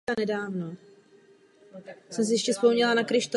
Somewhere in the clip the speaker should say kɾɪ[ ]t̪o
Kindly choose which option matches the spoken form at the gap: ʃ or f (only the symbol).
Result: ʃ